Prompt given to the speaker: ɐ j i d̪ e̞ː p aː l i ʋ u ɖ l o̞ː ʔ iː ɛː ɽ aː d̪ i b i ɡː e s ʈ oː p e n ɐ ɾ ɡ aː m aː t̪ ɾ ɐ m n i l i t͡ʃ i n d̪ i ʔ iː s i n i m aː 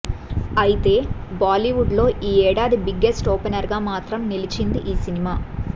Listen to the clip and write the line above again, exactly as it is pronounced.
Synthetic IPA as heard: ɐ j i t̪ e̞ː b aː l i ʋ u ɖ l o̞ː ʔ iː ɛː ɽ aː d̪ i b i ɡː e s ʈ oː p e n ɐ ɾ ɡ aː m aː t̪ ɾ ɐ m n i l i t͡ʃ i n d̪ i ʔ iː s i n i m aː